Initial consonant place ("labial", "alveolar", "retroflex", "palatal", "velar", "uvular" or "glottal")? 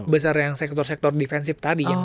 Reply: labial